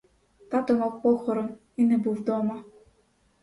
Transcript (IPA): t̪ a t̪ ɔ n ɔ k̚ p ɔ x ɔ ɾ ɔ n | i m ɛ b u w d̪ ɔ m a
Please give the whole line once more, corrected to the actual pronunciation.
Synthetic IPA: t̪ a t̪ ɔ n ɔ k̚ p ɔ x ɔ ɾ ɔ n | i n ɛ b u v d̪ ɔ m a